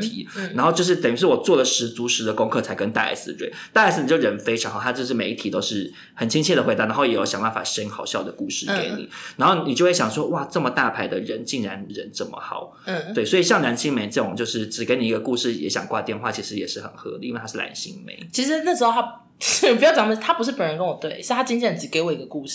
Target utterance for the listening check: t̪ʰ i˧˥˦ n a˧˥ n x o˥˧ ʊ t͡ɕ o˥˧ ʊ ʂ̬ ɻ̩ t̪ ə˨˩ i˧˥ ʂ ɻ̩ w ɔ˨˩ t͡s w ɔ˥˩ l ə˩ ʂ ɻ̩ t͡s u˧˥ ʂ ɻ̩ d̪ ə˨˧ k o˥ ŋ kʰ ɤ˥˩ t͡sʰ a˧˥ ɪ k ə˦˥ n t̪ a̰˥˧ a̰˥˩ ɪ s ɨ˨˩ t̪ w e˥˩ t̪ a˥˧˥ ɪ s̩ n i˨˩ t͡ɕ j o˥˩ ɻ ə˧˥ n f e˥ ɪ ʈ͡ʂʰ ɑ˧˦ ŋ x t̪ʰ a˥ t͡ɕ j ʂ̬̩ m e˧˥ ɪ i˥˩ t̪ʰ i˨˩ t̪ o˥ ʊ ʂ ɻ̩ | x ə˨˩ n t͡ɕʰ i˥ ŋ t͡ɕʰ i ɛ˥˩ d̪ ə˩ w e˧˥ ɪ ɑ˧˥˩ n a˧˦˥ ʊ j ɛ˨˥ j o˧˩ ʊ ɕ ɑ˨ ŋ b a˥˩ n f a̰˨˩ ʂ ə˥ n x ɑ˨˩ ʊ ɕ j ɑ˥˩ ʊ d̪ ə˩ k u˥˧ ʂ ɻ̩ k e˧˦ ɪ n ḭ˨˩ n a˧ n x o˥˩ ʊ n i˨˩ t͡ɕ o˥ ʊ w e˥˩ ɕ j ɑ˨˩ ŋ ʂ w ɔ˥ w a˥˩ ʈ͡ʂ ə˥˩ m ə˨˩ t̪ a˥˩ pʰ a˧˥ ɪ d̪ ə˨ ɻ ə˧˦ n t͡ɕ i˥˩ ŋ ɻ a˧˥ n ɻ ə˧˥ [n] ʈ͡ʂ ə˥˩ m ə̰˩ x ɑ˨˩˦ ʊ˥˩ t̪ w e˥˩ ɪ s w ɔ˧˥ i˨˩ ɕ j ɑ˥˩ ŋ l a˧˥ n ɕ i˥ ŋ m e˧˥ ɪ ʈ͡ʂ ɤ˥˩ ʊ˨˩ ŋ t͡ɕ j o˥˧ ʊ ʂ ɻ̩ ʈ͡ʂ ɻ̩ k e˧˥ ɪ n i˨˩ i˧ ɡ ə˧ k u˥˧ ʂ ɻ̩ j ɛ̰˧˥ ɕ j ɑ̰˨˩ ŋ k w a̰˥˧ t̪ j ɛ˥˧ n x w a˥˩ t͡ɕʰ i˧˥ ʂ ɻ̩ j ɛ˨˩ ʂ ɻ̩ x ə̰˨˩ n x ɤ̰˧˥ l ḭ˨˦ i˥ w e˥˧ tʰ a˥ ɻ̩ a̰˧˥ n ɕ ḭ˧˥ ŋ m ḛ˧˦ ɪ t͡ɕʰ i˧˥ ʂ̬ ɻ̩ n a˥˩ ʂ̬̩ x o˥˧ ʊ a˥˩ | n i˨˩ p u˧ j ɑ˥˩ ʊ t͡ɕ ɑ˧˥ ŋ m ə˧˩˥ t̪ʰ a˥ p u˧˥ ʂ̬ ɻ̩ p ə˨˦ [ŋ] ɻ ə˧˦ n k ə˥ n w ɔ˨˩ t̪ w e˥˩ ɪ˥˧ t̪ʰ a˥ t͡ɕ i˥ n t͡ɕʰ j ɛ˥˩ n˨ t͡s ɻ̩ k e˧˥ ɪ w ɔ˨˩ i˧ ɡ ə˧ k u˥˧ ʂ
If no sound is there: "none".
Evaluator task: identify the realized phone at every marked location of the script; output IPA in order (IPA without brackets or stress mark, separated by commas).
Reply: n, n